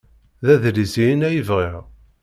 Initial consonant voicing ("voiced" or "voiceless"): voiced